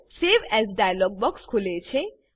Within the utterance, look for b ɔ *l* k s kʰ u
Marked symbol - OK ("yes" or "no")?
no